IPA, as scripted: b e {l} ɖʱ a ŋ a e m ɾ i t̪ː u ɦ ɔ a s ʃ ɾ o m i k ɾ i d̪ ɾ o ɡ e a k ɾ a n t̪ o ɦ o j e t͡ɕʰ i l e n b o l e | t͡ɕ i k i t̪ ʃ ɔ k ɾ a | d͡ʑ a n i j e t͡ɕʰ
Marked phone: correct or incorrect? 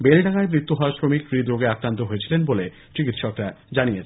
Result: correct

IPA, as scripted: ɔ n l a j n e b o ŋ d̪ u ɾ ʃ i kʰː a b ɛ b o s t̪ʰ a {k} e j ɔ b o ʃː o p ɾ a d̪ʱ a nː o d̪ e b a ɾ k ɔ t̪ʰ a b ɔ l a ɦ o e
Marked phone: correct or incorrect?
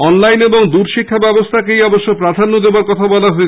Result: correct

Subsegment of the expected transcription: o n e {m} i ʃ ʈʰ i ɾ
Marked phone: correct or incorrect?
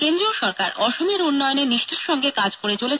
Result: incorrect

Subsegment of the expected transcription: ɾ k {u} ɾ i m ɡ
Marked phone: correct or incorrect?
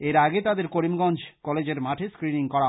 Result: incorrect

